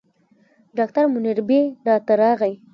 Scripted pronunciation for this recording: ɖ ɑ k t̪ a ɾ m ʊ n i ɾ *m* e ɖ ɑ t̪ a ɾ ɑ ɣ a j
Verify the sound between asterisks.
incorrect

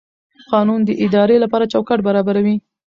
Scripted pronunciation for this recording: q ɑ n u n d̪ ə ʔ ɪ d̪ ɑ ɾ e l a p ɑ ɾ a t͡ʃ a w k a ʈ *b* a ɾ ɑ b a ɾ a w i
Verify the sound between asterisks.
correct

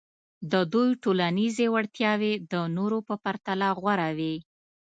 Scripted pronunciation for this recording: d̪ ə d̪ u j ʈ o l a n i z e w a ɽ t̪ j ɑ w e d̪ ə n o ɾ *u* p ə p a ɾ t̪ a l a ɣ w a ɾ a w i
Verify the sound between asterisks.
incorrect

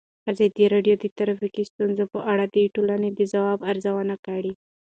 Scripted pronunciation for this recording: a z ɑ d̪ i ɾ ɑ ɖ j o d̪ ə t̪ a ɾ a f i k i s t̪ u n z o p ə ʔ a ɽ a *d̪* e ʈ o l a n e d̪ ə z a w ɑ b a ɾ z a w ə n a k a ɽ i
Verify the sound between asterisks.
correct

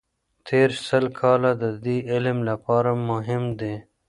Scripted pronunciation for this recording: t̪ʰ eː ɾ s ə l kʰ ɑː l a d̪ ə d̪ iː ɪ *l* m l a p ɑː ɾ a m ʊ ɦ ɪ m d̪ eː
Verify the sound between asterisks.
correct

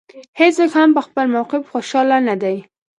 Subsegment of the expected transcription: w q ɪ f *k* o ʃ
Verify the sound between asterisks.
incorrect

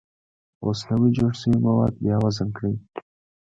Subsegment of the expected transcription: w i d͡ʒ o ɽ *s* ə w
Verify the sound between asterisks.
correct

